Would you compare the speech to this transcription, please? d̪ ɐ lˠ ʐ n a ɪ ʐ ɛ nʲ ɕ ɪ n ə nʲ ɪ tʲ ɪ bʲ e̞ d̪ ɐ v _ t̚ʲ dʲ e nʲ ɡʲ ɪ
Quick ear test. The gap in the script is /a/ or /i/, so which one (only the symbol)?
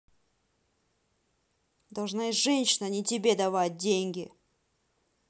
a